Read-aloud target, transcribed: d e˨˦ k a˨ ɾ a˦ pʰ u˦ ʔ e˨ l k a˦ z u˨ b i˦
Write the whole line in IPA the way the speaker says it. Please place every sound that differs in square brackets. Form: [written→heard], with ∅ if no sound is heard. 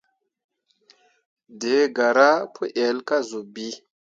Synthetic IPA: d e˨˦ [k→ɡ] a˨ ɾ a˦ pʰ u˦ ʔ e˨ l k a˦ z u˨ b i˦

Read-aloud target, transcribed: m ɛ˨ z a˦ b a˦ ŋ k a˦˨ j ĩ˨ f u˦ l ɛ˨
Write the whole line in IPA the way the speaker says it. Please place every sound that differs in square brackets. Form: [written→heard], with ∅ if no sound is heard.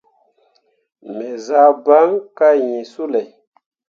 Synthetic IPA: m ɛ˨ z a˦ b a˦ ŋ k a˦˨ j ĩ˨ [f→s] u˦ l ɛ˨

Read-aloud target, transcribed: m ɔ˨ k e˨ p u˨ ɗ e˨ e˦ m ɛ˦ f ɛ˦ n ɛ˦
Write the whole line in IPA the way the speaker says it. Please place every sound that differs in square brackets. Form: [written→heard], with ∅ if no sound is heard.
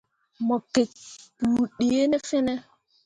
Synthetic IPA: m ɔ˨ k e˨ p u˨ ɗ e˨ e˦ [m→n] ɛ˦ f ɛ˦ n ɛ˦

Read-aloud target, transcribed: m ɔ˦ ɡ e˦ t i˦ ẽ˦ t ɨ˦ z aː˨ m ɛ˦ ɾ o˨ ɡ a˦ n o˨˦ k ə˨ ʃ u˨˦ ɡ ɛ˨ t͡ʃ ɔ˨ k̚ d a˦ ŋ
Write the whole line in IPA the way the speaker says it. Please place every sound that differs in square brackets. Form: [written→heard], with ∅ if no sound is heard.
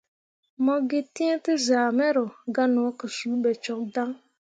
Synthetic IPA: m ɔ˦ ɡ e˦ t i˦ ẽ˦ t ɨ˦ z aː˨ m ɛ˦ ɾ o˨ ɡ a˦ n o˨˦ k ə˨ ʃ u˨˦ [ɡ→b] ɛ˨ t͡ʃ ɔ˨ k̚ d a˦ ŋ

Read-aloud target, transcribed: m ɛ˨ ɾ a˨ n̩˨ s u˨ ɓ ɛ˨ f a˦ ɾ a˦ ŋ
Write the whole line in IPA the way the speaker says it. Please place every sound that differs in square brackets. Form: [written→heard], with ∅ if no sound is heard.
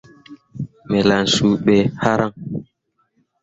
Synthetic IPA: m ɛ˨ [ɾ→l] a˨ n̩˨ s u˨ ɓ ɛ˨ [f→h] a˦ ɾ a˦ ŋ

